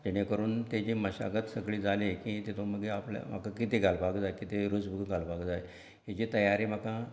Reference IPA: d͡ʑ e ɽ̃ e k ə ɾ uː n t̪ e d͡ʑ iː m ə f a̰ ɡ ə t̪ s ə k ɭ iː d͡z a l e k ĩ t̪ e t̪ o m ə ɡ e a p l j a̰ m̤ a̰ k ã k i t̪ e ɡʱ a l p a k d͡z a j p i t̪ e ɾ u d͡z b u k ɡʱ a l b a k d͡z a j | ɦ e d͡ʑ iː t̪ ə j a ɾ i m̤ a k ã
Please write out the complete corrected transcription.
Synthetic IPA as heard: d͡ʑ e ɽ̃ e k ə ɾ uː n t̪ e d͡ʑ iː m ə ɕ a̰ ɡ ə t̪ s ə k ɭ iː d͡z a l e k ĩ t̪ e t̪ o m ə ɡ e a p l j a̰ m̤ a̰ k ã k i t̪ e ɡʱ a l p a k d͡z a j k i t̪ e ɾ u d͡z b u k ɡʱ a l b a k d͡z a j | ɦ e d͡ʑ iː t̪ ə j a ɾ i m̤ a k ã

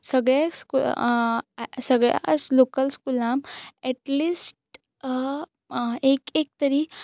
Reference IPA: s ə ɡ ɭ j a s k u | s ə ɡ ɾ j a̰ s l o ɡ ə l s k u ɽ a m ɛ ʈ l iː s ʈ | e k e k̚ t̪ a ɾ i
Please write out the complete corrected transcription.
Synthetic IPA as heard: s ə ɡ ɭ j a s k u | s ə ɡ ɭ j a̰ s l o k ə l s k u l a m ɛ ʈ l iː s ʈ | e k e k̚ t̪ ə ɾ i

